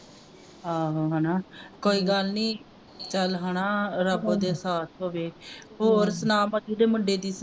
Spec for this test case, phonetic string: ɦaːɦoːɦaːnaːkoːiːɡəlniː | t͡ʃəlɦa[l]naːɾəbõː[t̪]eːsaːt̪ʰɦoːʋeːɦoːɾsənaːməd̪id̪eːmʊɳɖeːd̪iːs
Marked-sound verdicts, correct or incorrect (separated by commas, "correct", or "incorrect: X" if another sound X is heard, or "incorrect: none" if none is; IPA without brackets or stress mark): incorrect: none, incorrect: d̪